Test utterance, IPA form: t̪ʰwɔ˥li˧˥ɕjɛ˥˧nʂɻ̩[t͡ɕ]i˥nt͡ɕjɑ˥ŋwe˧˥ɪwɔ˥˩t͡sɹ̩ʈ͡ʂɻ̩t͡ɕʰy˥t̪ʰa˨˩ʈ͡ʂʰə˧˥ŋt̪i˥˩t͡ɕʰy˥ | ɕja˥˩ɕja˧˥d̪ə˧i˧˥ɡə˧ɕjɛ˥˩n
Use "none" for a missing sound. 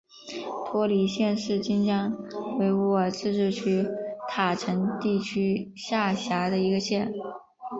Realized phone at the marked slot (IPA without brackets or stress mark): t͡ɕ